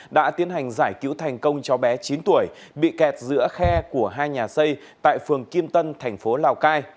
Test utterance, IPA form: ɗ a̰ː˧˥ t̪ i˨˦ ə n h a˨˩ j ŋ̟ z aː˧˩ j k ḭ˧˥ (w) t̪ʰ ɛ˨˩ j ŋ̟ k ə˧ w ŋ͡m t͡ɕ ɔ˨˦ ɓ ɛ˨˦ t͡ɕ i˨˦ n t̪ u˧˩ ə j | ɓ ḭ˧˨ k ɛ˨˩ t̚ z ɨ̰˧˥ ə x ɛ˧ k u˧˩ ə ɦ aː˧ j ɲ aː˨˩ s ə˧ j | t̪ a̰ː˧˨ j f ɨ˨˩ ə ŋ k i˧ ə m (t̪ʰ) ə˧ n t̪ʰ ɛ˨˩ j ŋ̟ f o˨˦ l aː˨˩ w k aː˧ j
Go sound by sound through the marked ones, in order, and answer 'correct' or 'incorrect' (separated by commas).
correct, incorrect